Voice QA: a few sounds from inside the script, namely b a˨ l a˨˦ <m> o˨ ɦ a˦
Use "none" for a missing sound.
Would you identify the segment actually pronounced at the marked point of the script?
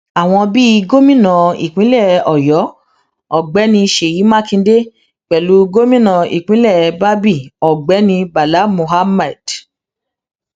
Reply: m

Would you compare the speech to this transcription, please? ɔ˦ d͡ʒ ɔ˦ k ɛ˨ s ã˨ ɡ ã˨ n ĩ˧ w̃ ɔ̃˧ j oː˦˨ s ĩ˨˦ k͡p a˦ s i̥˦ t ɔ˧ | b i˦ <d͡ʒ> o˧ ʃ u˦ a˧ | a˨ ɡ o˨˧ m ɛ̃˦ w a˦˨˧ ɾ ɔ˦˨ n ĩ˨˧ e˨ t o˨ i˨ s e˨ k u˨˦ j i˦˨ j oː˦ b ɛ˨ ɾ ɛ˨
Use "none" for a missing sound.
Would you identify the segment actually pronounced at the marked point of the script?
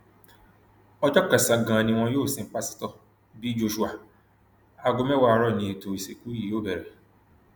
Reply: d͡ʒ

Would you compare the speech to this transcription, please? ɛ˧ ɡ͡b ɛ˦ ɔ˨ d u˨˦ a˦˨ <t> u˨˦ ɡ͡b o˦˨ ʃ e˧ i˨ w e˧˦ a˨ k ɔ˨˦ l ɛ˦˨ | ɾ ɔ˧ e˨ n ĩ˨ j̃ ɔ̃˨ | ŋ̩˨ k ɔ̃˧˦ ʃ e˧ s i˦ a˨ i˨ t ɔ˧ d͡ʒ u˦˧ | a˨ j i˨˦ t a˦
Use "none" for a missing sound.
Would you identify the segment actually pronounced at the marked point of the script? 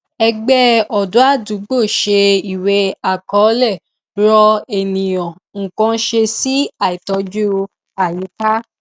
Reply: d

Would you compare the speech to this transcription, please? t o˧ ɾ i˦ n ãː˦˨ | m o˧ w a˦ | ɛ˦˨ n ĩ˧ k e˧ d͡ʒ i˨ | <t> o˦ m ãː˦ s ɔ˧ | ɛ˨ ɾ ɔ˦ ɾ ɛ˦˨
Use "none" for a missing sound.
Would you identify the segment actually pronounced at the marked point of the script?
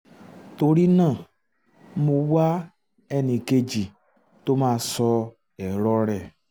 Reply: t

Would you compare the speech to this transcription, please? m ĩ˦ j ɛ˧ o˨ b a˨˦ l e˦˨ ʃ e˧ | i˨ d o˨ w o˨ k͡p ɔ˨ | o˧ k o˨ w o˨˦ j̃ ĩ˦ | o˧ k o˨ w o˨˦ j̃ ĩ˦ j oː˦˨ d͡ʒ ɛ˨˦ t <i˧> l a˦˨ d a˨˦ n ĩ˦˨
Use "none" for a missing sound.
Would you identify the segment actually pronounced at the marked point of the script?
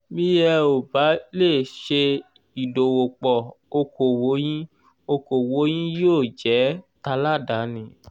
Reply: a˧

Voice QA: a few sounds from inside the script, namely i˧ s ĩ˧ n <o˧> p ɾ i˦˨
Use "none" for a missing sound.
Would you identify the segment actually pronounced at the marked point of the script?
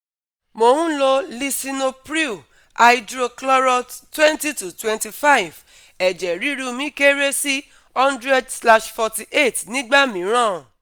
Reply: o˧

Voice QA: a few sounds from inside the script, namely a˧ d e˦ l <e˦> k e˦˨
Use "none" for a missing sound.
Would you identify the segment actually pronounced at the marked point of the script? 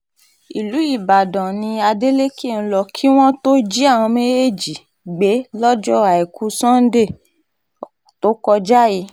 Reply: e˦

